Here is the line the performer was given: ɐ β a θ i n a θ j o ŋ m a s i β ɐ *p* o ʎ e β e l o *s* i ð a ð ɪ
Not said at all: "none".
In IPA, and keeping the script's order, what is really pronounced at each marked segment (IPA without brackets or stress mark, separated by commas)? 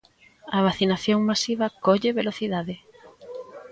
k, θ